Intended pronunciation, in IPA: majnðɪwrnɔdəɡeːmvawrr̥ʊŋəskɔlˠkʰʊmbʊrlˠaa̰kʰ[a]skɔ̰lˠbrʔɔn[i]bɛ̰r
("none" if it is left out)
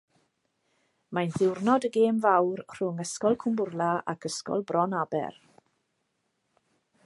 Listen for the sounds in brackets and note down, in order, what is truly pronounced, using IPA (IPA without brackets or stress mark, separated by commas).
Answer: ə, a